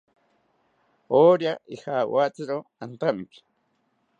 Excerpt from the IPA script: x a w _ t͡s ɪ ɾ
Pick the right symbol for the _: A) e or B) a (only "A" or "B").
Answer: B